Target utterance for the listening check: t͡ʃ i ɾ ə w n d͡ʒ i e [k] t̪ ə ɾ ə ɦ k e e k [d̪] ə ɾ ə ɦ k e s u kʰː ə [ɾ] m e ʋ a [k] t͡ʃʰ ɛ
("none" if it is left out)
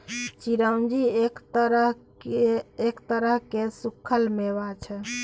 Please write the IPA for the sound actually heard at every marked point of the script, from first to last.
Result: k, t̪, l, none

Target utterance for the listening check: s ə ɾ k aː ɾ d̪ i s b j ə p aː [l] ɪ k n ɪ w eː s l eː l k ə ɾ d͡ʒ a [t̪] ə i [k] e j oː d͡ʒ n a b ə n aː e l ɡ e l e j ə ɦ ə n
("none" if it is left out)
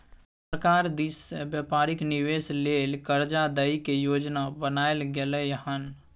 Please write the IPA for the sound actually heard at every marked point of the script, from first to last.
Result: ɾ, d̪, k

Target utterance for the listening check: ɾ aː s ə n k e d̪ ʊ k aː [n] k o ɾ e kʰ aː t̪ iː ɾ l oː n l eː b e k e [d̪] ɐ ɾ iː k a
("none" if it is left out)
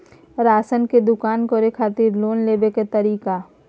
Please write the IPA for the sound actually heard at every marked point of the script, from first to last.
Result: n, t̪

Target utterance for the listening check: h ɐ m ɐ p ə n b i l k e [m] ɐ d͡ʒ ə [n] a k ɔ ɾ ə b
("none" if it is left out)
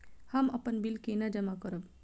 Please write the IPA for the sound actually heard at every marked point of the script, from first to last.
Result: n, m

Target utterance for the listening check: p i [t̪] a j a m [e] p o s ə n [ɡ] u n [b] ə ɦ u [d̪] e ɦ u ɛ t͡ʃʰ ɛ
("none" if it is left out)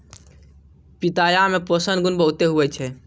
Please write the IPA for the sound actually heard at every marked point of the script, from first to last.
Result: t̪, e, ɡ, b, t̪

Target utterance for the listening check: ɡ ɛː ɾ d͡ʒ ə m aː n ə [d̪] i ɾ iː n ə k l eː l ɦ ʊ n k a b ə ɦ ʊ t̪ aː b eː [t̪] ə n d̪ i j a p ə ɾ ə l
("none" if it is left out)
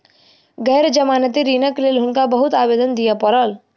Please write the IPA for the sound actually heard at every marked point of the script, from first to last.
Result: t̪, d̪

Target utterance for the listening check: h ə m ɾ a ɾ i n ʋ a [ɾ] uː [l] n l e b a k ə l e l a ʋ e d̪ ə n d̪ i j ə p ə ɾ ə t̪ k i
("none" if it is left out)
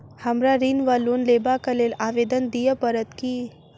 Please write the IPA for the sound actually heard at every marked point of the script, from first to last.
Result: l, none

